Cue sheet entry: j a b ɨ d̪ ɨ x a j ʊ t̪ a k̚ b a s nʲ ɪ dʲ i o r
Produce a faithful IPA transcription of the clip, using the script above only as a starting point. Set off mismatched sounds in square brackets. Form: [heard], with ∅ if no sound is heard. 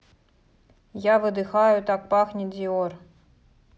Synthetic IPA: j a [v] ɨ d̪ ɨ x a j ʊ t̪ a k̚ [p] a [x] nʲ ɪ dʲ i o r